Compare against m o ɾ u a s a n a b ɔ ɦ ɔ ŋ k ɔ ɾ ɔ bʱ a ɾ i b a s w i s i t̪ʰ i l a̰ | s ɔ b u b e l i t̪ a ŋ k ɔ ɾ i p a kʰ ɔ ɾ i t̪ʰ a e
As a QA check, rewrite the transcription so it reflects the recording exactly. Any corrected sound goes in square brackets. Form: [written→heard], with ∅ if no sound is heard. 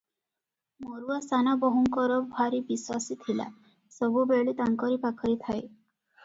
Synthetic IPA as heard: m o ɾ u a s a n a b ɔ ɦ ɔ ŋ k ɔ ɾ ɔ bʱ a ɾ i b [a→i] s w [i→a] s i t̪ʰ i l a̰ | s ɔ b u b e [l→ɭ] i t̪ a ŋ k ɔ ɾ i p a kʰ ɔ ɾ i t̪ʰ a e